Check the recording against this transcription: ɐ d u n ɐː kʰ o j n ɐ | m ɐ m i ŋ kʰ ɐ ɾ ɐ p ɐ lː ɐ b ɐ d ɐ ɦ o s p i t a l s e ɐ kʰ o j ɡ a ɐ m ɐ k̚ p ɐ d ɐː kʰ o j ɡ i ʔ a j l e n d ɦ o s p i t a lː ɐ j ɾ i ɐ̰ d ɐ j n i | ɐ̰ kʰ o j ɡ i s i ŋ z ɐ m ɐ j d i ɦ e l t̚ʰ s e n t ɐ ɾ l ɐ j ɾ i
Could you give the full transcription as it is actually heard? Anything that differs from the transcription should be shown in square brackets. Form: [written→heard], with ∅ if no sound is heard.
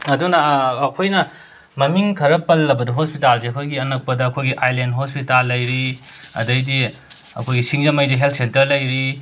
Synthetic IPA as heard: ɐ d u n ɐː kʰ o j n ɐ | m ɐ m i ŋ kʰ ɐ ɾ ɐ p ɐ lː ɐ b ɐ d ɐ ɦ o s p i t a l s e ɐ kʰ o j ɡ [a→i] ɐ [m→n] ɐ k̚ p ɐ d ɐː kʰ o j ɡ i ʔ a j l e n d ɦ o s p i t a lː ɐ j ɾ i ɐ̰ d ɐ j [n→d] i | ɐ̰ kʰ o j ɡ i s i ŋ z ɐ m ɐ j d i ɦ e l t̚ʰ s e n t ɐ ɾ l ɐ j ɾ i